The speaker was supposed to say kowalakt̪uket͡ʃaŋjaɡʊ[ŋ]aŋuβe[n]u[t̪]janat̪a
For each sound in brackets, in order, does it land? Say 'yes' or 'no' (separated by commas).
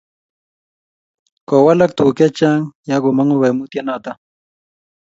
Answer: no, no, yes